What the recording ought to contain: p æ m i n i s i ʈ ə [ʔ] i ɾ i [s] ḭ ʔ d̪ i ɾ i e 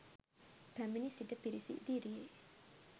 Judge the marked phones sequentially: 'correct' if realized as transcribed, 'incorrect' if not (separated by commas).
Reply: incorrect, correct